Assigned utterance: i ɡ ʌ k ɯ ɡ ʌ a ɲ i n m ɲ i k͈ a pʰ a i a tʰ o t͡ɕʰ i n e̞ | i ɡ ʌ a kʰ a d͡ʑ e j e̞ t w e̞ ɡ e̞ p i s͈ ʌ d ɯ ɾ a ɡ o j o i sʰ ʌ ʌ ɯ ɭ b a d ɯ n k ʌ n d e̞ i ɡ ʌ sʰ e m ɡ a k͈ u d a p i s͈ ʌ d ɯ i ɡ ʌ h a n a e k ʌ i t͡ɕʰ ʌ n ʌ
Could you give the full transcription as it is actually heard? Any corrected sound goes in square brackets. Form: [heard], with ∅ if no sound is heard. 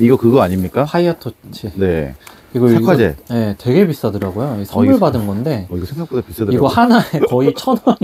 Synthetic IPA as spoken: i ɡ ʌ k ɯ ɡ ʌ a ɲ i [∅] m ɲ i k͈ a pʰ a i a tʰ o t͡ɕʰ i n e̞ | i ɡ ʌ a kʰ a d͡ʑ e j e̞ t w e̞ ɡ e̞ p i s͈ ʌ d ɯ ɾ a ɡ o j o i sʰ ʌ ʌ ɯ ɭ b a d ɯ n [ɡ] ʌ n d e̞ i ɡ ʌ sʰ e [ŋ] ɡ a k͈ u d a p i s͈ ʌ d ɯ i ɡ ʌ h a n a e k ʌ i t͡ɕʰ ʌ n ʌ